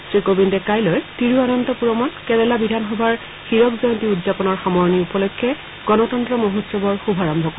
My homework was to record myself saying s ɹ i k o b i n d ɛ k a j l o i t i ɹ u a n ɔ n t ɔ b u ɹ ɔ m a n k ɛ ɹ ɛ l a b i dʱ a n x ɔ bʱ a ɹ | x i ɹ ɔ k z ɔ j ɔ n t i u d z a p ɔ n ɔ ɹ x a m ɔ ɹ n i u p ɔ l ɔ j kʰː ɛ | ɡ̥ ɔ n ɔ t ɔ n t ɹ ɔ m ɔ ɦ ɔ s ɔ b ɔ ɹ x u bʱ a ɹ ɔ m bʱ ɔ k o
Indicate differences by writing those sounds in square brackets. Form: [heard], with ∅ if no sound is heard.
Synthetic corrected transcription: s ɹ i k o b i n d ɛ k a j l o [j] t i ɹ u a n ɔ n t ɔ [p] u ɹ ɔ m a n k ɛ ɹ ɛ l a b i dʱ a n x ɔ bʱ a ɹ | x i ɹ ɔ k z ɔ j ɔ n t i u d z a p ɔ n ɔ ɹ x a m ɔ ɹ n i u p ɔ l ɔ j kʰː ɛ | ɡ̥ ɔ n ɔ t ɔ n t ɹ ɔ m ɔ ɦ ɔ s ɔ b ɔ ɹ x u bʱ a ɹ ɔ m bʱ ɔ k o